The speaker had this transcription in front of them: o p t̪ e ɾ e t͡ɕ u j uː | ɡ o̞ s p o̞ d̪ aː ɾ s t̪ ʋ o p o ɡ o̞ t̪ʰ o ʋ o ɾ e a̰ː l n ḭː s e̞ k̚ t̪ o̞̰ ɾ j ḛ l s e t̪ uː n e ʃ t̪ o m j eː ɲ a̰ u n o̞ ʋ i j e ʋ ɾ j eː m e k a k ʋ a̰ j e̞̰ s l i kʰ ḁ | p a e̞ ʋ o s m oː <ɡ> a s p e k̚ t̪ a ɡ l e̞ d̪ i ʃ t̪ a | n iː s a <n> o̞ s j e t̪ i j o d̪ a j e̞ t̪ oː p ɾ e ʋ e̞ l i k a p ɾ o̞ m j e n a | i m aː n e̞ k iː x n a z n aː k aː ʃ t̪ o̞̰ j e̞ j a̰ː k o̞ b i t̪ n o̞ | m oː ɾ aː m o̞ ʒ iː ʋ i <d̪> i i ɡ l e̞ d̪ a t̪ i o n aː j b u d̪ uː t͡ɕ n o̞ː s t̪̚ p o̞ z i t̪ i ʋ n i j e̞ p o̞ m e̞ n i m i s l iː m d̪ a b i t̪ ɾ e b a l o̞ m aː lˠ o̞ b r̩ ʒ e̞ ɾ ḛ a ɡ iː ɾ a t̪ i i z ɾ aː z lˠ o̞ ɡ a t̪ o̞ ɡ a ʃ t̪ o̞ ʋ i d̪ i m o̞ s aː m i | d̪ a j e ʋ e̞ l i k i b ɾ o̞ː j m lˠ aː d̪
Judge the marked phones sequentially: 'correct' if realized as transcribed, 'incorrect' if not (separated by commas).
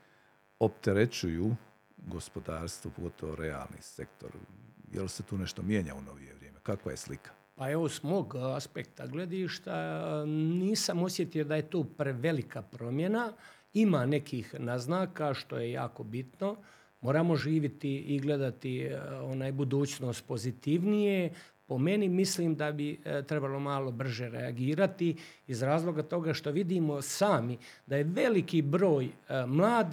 correct, incorrect, incorrect